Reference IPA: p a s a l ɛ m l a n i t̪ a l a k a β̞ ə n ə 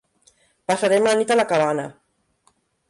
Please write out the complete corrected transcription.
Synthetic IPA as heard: p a s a ɾ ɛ m l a n i t̪ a l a k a β̞ a n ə